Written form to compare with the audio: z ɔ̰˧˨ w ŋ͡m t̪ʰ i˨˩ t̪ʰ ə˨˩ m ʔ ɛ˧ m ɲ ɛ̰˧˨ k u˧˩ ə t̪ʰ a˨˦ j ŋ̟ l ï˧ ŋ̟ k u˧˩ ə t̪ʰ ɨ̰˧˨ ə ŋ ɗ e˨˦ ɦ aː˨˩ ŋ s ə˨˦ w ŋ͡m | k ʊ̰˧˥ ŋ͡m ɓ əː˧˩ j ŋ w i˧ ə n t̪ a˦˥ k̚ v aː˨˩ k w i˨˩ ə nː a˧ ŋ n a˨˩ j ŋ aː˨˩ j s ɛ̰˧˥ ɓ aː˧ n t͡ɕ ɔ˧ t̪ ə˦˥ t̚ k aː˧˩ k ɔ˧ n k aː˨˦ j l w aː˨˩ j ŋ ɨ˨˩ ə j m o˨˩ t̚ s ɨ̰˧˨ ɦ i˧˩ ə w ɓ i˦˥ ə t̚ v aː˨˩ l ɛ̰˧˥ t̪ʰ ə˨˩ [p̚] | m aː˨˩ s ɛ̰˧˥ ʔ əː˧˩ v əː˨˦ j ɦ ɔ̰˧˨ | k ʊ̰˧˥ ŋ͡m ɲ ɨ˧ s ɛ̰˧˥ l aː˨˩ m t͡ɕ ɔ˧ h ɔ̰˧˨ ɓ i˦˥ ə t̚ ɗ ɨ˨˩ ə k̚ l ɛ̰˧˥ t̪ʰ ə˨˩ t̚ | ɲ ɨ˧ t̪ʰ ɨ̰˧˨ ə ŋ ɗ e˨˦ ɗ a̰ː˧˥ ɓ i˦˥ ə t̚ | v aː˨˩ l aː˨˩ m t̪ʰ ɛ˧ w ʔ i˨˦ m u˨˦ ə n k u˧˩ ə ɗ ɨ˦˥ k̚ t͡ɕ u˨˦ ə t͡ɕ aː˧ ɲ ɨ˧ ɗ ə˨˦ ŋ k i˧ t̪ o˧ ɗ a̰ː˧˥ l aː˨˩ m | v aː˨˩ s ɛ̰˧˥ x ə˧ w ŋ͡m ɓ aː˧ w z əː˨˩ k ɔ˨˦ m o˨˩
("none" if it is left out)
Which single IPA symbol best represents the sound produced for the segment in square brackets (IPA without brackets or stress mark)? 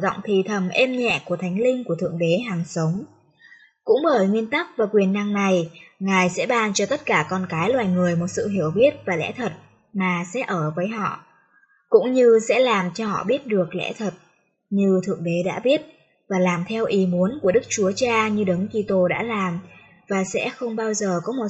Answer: t̚